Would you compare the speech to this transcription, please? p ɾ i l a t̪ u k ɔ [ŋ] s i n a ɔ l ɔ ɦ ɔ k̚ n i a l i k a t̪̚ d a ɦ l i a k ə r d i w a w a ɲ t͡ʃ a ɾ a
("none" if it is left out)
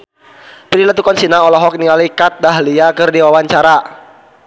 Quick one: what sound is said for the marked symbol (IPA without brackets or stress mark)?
n